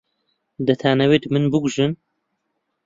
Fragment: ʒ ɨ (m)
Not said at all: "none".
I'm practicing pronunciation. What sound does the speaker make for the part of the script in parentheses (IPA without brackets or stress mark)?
n